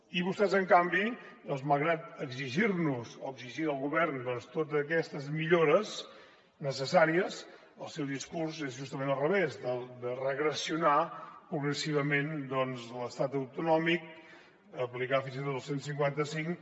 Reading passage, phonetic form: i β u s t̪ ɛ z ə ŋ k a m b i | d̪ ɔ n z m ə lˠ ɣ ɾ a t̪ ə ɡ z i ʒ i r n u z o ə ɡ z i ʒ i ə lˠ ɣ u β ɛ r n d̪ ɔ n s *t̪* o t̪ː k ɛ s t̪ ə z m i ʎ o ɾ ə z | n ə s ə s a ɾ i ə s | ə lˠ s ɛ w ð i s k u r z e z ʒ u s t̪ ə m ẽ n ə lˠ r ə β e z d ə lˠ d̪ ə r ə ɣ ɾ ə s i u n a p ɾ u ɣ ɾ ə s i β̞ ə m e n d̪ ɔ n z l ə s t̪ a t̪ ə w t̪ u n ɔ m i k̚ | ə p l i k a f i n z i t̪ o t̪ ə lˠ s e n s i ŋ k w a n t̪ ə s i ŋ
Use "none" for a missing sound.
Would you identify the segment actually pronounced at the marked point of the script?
t̪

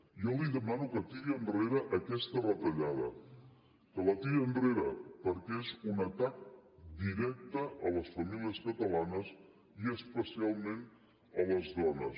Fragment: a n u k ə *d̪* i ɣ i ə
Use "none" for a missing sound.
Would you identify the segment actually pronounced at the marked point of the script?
t̪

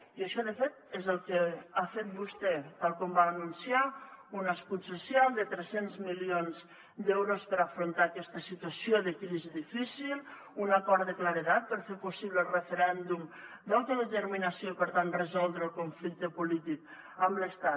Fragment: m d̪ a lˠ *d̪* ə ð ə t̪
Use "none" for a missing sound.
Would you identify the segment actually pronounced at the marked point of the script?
t̪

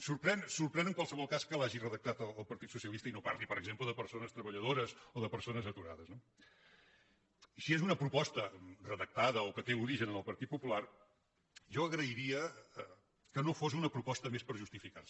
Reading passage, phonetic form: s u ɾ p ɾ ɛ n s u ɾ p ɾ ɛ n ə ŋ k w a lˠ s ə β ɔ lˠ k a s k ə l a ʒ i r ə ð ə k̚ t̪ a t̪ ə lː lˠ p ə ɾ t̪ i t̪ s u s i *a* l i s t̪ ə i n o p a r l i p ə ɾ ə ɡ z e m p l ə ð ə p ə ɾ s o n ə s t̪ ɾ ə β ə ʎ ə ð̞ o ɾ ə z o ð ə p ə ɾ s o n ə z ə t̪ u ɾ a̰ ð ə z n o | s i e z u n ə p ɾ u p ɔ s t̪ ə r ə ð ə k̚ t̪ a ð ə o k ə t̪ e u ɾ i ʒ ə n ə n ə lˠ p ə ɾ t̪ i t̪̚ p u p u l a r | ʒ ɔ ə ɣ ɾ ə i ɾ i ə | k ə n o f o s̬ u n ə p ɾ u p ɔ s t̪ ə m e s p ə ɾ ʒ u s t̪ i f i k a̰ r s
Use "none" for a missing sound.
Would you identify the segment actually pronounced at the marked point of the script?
ə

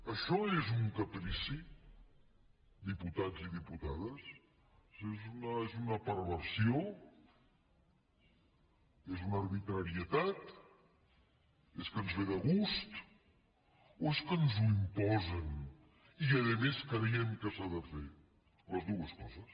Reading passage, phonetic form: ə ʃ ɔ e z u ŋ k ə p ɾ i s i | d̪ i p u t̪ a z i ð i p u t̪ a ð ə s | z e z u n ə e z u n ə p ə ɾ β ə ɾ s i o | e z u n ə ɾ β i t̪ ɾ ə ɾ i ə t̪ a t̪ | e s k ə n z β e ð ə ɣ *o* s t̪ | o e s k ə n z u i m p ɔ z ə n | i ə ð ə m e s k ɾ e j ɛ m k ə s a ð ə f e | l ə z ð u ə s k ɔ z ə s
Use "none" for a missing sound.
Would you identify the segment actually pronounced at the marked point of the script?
u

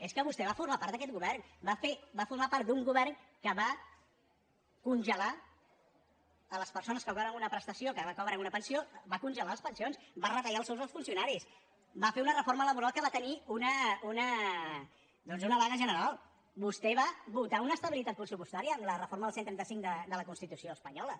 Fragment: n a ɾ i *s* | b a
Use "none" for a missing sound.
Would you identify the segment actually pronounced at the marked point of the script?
s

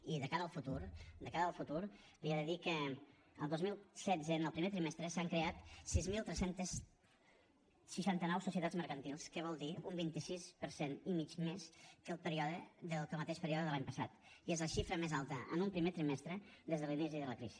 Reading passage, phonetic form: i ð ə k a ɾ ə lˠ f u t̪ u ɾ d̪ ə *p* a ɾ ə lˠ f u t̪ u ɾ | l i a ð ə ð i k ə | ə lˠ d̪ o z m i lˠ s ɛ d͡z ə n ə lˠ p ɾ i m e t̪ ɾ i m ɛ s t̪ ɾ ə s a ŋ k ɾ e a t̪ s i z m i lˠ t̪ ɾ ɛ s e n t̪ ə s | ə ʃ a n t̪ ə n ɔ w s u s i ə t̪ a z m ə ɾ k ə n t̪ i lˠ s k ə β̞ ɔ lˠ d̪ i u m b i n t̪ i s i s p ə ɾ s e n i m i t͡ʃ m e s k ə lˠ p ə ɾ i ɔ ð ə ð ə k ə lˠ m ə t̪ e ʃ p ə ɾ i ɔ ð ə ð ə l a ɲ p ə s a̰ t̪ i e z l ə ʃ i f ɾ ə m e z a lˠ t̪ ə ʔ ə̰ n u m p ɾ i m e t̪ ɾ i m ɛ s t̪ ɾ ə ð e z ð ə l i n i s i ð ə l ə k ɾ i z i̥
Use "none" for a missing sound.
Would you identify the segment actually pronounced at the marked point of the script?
k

